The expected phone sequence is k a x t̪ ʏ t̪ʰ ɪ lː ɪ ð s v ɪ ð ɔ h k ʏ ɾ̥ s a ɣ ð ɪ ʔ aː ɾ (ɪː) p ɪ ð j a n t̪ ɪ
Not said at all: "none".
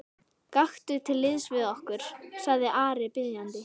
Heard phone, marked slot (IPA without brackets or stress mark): ɪ